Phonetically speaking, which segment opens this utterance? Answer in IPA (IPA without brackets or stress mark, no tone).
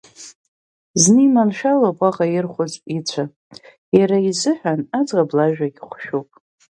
z